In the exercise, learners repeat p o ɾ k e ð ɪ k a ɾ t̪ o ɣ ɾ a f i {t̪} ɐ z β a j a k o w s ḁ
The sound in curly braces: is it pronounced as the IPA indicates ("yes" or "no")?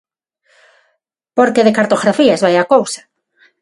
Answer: no